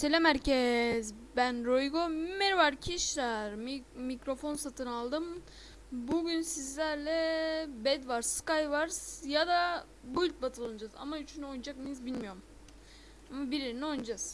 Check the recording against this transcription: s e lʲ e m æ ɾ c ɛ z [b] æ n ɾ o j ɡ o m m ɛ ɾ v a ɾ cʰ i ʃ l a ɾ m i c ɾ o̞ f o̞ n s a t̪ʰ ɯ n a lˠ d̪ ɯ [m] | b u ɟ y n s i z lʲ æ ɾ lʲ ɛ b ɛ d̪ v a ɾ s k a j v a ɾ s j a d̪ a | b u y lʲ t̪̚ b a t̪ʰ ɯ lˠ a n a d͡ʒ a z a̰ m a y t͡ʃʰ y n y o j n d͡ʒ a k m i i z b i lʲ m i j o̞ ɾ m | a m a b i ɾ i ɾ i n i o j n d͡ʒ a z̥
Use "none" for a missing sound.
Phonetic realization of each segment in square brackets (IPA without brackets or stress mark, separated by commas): b, m